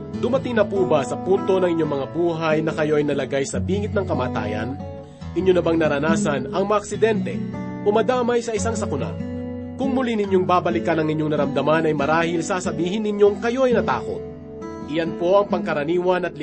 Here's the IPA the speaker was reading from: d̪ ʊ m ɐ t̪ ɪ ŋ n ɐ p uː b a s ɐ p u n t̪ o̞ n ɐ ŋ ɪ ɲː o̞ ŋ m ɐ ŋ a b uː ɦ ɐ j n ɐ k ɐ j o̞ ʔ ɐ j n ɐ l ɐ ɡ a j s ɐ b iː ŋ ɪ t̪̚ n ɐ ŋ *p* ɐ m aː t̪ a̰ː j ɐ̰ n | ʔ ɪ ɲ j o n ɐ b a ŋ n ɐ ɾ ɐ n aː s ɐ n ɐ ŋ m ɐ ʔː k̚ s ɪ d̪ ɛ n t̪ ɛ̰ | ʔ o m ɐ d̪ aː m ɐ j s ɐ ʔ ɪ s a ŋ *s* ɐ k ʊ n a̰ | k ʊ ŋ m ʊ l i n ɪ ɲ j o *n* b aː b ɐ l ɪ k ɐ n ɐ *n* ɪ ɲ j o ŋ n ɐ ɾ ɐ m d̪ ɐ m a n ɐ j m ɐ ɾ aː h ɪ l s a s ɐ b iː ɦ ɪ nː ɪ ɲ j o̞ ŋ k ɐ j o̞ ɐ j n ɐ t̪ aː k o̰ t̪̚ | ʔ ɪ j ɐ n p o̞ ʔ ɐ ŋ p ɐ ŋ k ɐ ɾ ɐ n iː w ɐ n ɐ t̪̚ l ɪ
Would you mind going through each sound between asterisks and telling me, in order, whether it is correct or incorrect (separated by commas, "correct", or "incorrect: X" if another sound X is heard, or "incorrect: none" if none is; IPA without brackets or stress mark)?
incorrect: k, correct, incorrect: ŋ, incorrect: ŋ